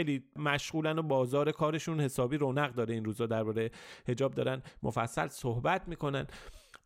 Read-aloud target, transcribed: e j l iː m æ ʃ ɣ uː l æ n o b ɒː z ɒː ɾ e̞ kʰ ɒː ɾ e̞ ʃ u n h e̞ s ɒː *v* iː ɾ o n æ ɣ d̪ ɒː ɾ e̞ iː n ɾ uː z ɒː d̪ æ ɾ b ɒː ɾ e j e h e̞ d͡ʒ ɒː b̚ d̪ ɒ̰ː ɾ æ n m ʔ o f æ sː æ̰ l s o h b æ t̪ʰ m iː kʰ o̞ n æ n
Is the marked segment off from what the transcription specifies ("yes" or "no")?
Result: yes